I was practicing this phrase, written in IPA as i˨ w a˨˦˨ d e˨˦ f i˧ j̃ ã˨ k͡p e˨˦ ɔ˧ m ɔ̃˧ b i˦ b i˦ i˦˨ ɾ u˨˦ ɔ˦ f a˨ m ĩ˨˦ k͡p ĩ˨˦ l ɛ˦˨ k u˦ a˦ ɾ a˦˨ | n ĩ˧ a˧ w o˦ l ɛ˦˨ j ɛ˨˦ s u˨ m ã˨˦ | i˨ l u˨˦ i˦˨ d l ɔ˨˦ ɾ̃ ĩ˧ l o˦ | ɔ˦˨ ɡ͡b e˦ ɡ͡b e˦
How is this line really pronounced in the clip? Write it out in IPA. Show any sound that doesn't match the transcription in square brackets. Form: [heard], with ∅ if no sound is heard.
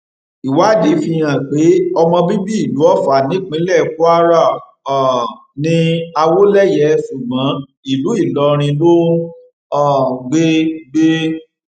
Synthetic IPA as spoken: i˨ w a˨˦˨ d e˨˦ f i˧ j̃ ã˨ k͡p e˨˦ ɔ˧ m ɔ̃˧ b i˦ b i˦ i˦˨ [l] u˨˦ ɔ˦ f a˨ [n] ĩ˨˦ k͡p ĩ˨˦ l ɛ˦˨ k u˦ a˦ ɾ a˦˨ | n ĩ˧ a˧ w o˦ l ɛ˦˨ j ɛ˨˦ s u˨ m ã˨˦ | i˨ l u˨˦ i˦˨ [∅] l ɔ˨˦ ɾ̃ ĩ˧ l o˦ | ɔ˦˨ ɡ͡b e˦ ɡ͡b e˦

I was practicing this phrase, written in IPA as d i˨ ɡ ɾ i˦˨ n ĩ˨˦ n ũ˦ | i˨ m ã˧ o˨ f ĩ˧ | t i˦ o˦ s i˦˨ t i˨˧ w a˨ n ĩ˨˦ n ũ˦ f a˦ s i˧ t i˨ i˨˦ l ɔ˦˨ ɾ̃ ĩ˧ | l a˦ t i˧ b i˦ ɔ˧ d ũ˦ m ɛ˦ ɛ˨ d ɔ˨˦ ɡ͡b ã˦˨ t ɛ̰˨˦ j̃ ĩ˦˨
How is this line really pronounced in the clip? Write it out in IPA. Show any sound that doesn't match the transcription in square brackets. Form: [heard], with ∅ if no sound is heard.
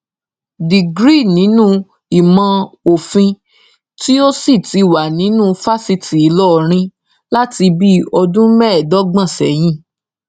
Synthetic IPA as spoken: d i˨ ɡ ɾ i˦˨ n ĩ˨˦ n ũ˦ | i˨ m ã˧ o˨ f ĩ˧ | t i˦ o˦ s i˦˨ t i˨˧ w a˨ n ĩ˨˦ n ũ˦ f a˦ s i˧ t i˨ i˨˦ l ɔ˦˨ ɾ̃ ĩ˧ | l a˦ t i˧ b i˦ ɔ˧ d ũ˦ m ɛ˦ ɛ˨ d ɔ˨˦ ɡ͡b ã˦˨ [s] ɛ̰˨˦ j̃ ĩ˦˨

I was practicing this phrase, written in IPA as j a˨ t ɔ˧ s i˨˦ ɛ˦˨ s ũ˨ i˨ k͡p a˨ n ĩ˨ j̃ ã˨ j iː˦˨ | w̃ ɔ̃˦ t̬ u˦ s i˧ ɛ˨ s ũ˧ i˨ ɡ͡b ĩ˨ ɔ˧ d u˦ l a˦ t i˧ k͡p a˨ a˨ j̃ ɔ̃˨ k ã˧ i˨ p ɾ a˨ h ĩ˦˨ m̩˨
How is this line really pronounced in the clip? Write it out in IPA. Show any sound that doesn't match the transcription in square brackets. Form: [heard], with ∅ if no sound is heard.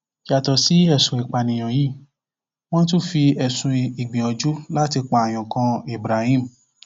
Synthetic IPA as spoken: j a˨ t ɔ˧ s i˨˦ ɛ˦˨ s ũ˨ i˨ k͡p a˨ n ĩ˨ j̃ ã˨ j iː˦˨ | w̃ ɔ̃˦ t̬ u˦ [f] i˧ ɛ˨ s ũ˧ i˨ ɡ͡b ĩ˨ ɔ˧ [d͡ʒ] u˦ l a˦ t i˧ k͡p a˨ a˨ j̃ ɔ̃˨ k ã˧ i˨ [b] ɾ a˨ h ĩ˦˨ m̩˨

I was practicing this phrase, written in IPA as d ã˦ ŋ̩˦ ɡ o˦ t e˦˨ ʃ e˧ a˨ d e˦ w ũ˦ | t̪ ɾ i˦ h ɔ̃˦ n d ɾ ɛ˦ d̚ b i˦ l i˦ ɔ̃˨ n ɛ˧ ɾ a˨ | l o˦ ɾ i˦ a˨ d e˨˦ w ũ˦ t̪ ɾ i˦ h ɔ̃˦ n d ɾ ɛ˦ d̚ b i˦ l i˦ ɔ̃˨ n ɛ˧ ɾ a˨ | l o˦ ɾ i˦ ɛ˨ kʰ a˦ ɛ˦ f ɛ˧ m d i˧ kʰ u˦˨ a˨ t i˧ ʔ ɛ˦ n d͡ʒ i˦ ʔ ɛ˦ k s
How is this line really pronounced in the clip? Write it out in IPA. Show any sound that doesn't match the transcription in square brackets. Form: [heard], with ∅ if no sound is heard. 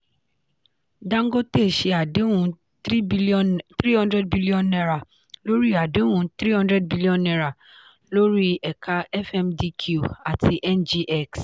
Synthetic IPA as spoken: d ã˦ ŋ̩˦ ɡ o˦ t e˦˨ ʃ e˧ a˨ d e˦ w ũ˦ | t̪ ɾ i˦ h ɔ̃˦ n d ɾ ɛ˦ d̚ b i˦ l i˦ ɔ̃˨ n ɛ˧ ɾ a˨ | l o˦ ɾ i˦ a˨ d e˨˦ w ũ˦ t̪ ɾ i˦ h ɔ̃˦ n d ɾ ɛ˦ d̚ b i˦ l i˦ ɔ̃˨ n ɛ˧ ɾ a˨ | l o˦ ɾ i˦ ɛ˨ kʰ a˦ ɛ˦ f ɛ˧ m d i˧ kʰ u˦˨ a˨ t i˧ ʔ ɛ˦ n d͡ʒ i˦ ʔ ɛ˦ k s

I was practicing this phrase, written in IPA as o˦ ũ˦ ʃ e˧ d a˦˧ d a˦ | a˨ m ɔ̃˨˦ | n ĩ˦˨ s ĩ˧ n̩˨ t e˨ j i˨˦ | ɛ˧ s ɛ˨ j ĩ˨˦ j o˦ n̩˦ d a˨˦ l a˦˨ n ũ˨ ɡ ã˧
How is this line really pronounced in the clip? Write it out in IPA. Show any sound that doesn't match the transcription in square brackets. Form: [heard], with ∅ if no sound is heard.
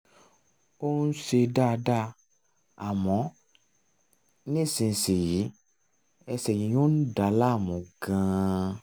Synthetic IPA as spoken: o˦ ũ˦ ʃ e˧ d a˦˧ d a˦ | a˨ m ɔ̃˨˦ | n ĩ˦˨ s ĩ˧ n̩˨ [s] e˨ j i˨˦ | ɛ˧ s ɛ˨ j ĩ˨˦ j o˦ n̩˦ d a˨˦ l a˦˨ [m] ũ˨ ɡ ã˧

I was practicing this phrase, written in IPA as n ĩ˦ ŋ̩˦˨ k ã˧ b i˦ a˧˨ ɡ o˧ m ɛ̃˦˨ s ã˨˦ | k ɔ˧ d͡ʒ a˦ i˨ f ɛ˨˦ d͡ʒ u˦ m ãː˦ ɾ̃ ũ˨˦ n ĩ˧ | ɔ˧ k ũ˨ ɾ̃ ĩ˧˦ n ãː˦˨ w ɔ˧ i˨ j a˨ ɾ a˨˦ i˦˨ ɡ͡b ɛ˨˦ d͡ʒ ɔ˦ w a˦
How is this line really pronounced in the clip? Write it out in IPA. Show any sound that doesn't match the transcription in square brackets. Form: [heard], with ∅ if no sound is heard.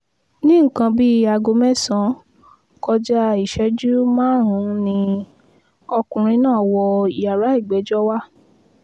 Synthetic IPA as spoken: n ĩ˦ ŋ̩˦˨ k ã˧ b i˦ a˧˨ ɡ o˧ m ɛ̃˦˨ s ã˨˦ | k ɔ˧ d͡ʒ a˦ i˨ [ʃ] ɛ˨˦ d͡ʒ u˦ m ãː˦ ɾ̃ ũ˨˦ n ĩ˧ | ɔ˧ k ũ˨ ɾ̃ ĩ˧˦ n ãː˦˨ w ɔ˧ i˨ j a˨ ɾ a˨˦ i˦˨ ɡ͡b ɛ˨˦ d͡ʒ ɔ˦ w a˦

